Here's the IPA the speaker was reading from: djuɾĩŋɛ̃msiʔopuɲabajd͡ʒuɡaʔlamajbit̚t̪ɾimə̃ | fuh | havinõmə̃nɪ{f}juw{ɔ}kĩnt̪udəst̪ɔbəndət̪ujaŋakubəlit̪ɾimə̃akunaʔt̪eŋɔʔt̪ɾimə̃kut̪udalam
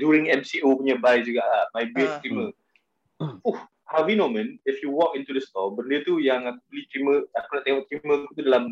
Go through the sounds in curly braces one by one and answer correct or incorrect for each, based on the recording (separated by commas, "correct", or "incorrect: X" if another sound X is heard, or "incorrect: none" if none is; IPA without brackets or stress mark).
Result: correct, correct